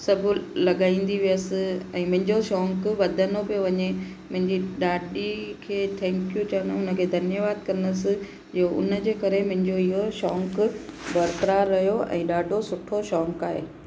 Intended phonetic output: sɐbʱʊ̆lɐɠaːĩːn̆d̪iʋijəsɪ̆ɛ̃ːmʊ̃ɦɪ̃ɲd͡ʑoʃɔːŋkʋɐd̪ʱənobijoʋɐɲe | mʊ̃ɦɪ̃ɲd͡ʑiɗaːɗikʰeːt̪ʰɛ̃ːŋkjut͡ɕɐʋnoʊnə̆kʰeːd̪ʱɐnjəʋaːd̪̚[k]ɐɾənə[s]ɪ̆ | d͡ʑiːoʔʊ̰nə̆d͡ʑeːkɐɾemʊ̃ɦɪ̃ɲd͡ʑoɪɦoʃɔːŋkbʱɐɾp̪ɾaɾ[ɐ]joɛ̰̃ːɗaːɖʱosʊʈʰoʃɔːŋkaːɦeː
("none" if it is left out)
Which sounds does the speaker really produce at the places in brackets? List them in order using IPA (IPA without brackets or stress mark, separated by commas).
k, s, ɐ